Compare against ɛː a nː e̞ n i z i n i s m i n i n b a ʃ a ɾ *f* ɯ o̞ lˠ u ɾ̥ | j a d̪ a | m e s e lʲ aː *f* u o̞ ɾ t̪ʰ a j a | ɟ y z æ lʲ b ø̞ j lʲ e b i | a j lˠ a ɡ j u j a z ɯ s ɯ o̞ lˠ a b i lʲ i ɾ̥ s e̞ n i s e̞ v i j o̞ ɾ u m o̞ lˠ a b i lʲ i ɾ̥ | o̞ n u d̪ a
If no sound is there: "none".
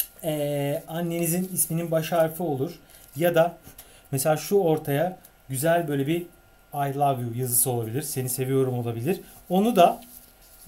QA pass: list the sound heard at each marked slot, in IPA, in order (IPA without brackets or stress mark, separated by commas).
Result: f, ʃ